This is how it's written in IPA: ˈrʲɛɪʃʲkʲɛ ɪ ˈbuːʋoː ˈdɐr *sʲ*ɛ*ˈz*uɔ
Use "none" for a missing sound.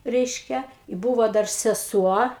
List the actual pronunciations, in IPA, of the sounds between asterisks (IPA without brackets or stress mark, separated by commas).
sʲ, s